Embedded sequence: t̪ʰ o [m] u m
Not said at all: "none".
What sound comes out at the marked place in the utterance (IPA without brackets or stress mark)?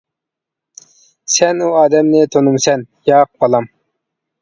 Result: n